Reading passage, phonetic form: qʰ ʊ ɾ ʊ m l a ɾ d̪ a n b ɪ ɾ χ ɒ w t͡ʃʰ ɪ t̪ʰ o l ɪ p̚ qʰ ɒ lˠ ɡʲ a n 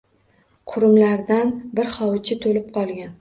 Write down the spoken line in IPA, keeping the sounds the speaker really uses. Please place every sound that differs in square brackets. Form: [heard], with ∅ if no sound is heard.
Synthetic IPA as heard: qʰ ʊ ɾ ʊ m l a ɾ d̪ a n b ɪ ɾ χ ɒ w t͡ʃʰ ɪ t̪ʰ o l ɪ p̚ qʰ ɒ lˠ ɡʲ a n